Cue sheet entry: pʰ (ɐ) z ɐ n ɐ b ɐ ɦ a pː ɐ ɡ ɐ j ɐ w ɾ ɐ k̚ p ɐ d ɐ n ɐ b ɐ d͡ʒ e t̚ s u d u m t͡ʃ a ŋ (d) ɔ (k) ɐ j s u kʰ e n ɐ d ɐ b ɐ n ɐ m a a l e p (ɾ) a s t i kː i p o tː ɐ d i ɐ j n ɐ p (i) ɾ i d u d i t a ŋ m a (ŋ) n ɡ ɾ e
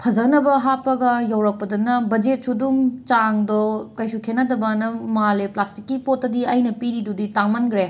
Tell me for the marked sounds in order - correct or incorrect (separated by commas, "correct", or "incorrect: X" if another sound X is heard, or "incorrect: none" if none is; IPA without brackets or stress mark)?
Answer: correct, correct, correct, incorrect: l, correct, incorrect: none